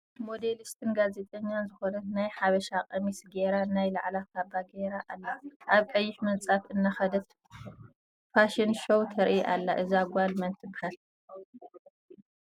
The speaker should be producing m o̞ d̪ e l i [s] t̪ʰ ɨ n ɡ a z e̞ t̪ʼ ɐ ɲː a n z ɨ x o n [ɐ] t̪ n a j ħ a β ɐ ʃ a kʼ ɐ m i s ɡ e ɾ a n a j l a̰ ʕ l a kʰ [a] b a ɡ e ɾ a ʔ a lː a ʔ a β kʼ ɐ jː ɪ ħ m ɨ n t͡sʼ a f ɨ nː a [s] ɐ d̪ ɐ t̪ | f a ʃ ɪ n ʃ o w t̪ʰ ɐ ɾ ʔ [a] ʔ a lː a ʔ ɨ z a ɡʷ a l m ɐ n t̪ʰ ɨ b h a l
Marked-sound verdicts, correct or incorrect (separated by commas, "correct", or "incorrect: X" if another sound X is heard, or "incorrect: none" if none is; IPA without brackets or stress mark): correct, correct, correct, incorrect: x, incorrect: i